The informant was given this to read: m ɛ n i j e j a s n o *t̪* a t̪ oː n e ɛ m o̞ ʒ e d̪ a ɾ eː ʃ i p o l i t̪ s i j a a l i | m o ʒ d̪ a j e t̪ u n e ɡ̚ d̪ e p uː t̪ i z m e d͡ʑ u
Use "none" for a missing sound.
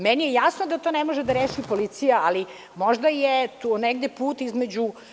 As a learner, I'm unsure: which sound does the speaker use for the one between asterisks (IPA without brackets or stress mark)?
d̪